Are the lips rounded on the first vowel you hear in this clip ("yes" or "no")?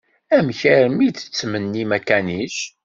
no